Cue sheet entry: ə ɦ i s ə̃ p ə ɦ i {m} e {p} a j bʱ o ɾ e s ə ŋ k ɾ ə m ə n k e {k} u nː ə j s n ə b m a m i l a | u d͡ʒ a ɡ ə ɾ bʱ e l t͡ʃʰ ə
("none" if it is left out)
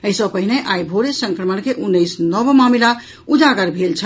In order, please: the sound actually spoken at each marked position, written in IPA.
n, ʔ, ʔ

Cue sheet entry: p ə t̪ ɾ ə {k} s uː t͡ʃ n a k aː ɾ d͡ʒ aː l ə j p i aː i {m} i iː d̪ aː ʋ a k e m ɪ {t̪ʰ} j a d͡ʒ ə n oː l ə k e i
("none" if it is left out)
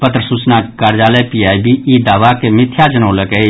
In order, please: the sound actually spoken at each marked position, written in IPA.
none, b, t̪ʰ

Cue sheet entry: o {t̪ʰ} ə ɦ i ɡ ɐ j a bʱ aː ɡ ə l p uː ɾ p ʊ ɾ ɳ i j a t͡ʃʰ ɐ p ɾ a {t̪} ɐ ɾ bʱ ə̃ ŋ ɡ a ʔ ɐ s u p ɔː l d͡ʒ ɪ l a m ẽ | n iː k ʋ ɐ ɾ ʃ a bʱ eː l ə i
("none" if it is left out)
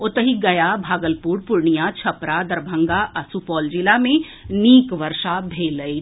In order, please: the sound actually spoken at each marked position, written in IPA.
t̪, d̪

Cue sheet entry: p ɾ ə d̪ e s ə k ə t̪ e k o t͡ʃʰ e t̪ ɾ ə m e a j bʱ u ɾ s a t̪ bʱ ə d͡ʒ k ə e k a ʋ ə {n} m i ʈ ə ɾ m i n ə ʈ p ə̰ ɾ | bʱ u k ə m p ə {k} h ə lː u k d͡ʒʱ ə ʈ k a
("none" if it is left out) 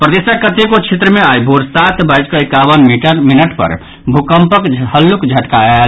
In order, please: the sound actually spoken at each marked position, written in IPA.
n, k

